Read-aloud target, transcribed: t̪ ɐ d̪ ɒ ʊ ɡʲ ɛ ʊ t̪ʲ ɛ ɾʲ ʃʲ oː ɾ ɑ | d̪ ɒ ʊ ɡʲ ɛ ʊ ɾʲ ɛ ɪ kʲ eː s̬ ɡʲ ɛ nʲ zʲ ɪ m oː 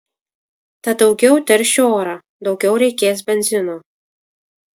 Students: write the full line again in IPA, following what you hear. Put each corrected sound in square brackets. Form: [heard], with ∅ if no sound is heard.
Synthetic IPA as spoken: t̪ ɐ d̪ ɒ ʊ ɡʲ ɛ ʊ t̪ʲ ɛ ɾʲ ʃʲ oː ɾ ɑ | d̪ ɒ ʊ ɡʲ ɛ ʊ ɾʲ ɛ ɪ kʲ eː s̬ [bʲ] ɛ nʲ zʲ ɪ [n] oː